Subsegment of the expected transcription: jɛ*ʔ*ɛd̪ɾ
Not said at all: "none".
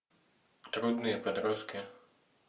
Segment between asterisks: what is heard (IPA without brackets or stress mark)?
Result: p